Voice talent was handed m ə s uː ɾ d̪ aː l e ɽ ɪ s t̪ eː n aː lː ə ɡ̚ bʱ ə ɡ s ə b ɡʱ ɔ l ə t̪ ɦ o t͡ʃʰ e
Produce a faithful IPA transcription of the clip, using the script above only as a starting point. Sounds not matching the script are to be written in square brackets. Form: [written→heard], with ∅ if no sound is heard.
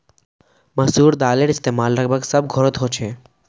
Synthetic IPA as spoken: m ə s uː ɾ d̪ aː l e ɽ ɪ s t̪ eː [n→m] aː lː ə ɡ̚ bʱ ə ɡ s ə b ɡʱ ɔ [l→ɾ] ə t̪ ɦ o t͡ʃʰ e